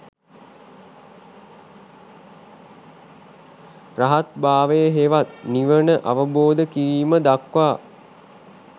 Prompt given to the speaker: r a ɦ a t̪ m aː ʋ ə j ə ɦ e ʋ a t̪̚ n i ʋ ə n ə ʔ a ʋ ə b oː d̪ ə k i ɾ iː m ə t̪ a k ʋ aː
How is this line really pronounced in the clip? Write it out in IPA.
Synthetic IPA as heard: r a ɦ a t̪ b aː ʋ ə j ə ɦ e ʋ a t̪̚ n i ʋ ə n ə ʔ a ʋ ə b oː d̪ ə k i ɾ iː m ə d̪ a k ʋ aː